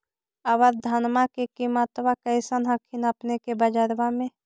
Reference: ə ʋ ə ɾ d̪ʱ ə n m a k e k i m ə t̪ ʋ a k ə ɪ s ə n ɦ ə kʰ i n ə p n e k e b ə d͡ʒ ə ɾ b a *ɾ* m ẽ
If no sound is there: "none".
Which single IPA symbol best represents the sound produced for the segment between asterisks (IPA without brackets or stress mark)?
none